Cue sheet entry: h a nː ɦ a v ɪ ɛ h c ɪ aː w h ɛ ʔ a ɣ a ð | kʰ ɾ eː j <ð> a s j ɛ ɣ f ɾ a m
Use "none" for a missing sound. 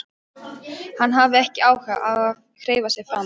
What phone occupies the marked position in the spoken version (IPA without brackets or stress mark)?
v